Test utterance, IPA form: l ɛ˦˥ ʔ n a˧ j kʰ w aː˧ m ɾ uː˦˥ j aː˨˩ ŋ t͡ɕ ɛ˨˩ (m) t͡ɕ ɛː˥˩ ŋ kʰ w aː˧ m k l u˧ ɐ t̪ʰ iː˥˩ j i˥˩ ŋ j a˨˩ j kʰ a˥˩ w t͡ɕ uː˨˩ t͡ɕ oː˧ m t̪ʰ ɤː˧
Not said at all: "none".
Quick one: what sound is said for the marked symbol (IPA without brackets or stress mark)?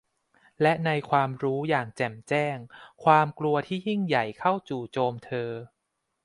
m